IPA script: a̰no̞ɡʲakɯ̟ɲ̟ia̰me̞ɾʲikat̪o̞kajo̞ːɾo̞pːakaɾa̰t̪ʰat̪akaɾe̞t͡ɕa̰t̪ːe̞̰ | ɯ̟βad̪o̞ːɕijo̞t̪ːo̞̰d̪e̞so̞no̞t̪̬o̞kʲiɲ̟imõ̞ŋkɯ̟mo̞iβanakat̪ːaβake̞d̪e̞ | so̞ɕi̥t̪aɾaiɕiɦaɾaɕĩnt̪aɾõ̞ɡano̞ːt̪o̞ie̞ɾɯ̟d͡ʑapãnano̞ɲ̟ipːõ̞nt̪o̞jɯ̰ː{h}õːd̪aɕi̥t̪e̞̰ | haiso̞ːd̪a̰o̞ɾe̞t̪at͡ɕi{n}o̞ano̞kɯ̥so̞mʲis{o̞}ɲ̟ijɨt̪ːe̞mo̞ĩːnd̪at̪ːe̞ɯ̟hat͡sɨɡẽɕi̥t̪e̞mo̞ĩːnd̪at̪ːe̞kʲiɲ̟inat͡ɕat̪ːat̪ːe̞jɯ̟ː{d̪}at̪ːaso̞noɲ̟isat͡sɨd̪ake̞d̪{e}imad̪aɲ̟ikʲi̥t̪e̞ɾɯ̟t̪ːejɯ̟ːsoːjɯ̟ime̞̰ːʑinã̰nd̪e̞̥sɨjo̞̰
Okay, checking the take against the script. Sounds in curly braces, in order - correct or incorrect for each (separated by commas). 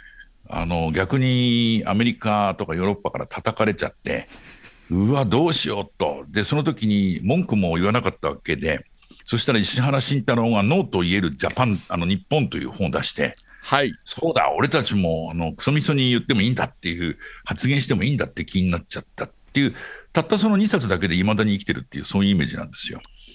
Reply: correct, incorrect, correct, incorrect, correct